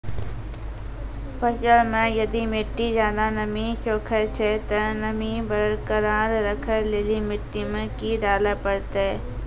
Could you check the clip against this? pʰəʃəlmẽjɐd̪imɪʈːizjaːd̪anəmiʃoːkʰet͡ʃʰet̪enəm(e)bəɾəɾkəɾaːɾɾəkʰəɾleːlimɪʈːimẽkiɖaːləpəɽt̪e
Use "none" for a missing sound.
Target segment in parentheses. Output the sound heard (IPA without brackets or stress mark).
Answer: i